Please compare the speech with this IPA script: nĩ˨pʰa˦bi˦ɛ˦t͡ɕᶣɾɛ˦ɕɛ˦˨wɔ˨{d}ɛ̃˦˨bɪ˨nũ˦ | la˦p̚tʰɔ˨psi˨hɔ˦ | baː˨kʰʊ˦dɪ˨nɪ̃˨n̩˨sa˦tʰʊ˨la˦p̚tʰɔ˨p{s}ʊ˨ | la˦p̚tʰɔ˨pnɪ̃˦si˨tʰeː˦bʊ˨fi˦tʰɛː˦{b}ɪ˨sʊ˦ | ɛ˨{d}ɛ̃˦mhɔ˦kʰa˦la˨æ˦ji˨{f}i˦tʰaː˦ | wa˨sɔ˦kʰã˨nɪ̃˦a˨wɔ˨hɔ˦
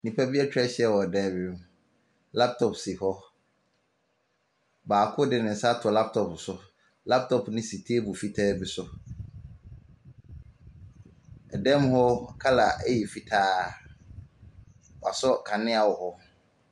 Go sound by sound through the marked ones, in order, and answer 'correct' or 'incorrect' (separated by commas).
correct, correct, correct, correct, correct